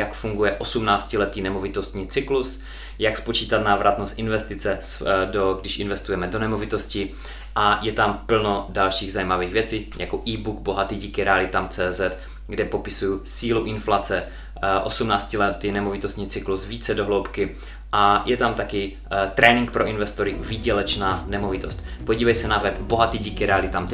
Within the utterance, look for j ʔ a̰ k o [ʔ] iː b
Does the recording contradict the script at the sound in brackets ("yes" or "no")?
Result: no